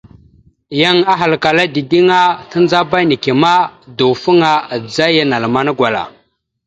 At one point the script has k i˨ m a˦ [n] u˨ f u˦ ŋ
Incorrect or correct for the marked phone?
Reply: incorrect: d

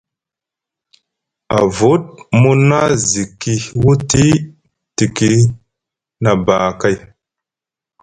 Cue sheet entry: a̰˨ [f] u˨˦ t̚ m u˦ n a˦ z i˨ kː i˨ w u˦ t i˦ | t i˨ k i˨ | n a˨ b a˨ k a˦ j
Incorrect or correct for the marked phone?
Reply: incorrect: v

